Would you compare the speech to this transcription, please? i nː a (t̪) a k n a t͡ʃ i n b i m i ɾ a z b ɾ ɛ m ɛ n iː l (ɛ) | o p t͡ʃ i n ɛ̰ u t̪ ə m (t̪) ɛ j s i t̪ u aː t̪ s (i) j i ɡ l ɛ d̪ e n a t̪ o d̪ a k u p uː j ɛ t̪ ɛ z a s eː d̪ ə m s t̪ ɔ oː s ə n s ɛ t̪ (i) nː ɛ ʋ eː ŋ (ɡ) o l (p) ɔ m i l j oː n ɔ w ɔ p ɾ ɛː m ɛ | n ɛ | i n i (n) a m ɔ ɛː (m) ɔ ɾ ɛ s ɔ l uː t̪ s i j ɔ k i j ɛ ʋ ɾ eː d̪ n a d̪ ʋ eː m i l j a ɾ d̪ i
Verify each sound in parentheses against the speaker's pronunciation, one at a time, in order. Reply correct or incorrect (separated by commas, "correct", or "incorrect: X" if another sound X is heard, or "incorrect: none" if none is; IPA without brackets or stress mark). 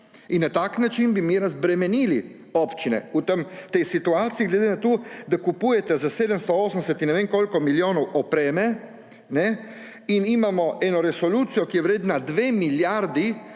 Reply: correct, incorrect: i, correct, correct, correct, incorrect: k, incorrect: k, incorrect: m, incorrect: n